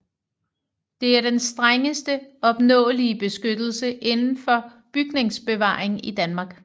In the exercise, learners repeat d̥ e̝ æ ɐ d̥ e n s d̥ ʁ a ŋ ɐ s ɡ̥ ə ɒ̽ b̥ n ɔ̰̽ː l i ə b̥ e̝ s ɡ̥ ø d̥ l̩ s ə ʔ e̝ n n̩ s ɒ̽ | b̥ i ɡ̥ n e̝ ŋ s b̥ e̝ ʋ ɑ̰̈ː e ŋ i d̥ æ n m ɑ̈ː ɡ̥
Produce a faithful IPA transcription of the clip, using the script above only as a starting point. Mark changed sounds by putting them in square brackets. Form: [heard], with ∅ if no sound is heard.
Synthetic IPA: d̥ e̝ æ ɐ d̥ e n s d̥ ʁ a ŋ [ə] s [d̥] ə ɒ̽ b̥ n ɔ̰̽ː l i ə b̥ e̝ s ɡ̥ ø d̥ l̩ s ə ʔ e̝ n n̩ [f] ɒ̽ | b̥ [y] ɡ̥ n e̝ ŋ s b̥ e̝ ʋ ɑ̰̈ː e ŋ i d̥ æ n m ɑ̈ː ɡ̥